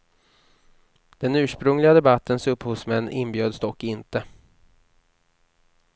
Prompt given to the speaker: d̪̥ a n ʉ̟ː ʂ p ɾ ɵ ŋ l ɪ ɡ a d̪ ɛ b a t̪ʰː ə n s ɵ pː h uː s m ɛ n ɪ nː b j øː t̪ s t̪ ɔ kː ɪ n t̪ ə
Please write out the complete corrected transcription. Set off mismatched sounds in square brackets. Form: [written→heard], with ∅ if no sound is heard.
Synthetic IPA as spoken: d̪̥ [a→ɛ] n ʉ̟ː ʂ p ɾ ɵ ŋ l ɪ ɡ a d̪ ɛ b a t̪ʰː ə n s ɵ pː h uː s m ɛ [n→nː] ɪ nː b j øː [t̪→d̪] s t̪ ɔ kː ɪ n t̪ ə